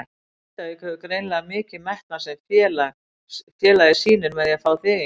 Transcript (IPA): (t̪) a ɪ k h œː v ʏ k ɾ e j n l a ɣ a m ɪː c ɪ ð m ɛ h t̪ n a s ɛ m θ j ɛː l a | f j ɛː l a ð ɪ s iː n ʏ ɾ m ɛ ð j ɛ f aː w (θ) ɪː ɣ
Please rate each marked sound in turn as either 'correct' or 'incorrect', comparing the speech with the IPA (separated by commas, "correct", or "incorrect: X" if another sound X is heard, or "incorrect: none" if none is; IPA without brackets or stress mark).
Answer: correct, correct